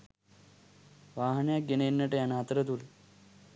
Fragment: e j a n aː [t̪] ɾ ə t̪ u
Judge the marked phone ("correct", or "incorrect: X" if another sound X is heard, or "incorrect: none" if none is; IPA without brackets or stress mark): correct